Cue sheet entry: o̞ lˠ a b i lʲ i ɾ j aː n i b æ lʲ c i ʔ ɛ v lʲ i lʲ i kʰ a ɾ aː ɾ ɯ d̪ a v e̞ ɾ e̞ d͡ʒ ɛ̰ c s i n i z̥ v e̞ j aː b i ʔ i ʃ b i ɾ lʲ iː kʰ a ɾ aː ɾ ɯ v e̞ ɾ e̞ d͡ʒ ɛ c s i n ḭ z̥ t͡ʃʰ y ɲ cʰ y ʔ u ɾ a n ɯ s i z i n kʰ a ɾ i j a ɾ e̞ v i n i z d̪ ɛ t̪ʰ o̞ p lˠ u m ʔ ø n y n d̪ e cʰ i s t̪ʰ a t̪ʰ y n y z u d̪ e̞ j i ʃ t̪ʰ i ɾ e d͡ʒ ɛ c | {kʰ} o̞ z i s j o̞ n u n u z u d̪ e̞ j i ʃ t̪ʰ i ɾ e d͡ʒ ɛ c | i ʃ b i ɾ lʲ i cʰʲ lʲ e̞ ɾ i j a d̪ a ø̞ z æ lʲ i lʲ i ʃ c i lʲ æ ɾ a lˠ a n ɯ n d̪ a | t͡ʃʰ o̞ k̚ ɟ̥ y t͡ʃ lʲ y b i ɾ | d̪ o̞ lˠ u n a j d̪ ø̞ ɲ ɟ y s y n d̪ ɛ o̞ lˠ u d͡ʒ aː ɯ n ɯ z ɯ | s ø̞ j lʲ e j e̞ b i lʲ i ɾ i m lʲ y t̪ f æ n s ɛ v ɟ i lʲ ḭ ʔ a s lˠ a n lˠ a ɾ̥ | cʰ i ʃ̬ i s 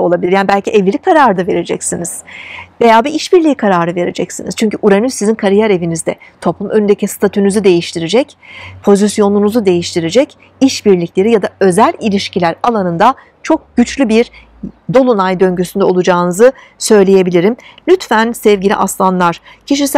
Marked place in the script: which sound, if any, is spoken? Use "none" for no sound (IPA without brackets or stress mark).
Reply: pʰ